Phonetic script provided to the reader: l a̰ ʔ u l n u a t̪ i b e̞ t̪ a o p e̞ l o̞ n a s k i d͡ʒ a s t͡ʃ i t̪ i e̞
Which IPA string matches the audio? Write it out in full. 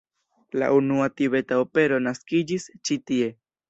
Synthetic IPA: l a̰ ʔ u n u a t̪ i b e̞ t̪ a o p e̞ ɾ o̞ n a s k i d͡ʒ i s t͡ʃ i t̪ i e̞

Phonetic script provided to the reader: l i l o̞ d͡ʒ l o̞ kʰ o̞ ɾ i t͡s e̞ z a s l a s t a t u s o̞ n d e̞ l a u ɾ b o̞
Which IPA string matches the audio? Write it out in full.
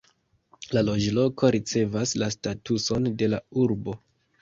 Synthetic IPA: l a l o̞ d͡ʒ l o̞ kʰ o̞ ɾ i t͡s e̞ v a s l a s t a t u s o̞ n d e̞ l a u ɾ b o̞

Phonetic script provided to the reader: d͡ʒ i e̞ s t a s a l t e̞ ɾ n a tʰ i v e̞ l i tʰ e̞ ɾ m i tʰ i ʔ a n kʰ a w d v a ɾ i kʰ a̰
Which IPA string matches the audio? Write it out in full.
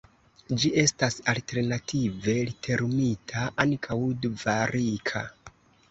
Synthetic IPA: d͡ʒ i e̞ s t a s a l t e̞ ɾ n a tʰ i v e̞ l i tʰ e̞ ɾ m i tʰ a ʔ a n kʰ a w d v a ɾ i kʰ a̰

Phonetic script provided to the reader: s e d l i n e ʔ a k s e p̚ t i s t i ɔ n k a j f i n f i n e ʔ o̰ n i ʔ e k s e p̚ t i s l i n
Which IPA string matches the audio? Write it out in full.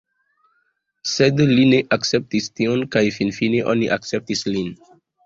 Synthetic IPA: s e d l i n e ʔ a k s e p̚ t i s t i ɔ n k a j f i n f i n e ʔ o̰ n i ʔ a k s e p̚ t i s l i n

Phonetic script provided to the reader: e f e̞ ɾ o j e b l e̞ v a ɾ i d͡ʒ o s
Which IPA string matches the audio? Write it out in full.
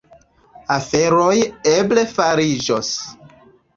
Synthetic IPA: a f e̞ ɾ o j e b l e̞ f a ɾ i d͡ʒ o s

